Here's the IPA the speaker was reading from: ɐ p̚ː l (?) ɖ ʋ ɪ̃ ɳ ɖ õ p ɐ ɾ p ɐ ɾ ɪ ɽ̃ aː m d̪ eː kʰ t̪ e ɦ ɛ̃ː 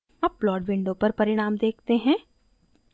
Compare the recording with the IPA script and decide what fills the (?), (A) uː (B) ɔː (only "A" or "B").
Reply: B